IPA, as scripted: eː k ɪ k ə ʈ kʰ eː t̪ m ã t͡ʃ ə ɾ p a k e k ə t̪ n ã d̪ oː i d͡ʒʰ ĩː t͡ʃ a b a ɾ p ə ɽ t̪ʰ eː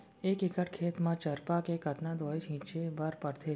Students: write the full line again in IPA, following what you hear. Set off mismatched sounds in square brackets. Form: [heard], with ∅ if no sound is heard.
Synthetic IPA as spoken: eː k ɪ k ə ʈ kʰ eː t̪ m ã t͡ʃ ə ɾ p a k e k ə t̪ n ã d̪ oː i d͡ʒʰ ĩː t͡ʃ [e] b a ɾ p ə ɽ t̪ʰ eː